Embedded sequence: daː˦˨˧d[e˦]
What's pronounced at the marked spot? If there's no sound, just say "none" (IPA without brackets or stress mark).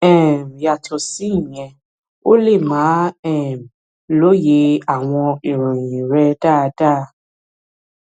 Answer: a˦